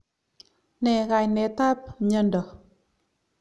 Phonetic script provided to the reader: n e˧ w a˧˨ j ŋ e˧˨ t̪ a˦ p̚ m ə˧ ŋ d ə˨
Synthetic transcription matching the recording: n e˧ ɣ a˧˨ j n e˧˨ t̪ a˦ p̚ ɲ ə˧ n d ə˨